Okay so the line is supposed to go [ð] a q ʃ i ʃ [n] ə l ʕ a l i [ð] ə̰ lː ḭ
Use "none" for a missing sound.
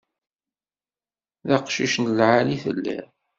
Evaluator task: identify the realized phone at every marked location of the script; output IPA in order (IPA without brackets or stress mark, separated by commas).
ð, n, θ